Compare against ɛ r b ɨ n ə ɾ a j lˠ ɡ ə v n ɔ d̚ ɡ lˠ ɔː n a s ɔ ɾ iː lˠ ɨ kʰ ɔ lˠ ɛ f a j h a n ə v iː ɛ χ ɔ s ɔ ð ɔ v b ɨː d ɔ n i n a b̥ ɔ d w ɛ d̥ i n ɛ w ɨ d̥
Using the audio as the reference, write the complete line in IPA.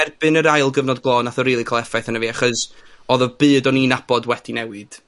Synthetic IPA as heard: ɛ r b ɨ n ə ɾ a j lˠ ɡ ə v n ɔ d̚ ɡ lˠ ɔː n a θ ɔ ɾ iː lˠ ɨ kʰ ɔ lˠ ɛ f a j θ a n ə v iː a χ ɔ s ɔ ð ɔ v b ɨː d ɔ n i n a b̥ ɔ d w ɛ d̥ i n ɛ w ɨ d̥